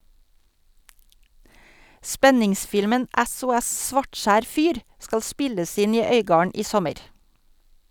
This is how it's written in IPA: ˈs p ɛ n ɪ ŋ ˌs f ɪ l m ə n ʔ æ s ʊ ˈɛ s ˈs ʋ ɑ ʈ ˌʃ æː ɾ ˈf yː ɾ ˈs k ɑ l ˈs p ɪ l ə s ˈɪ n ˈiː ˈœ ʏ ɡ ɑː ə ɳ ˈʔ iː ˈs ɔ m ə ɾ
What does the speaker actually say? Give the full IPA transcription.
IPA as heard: ˈs p ɛ n ɪ ŋ ˌs f ɪ l m ə n ʔ æ s ʊ ˈɛ s ˈs ʋ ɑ ʈ ˌʃ æː ɾ ˈf yː ɾ ˈs k ɑ l ˈs p ɪ l ə s ˈɪ n ˈiː ˈœ ʏ ɡ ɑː ə ɳ ˈʔ iː ˈs ɔ m ə ɾ